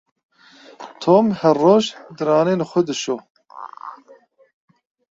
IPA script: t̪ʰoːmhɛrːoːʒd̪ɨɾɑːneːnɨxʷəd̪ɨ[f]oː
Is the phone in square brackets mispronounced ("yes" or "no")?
yes